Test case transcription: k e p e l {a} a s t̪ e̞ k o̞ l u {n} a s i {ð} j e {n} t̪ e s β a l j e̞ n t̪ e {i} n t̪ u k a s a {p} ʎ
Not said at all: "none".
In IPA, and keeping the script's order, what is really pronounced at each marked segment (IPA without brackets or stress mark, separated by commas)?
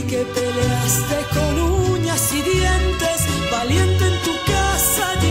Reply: e, ɲ, ð, n, e, none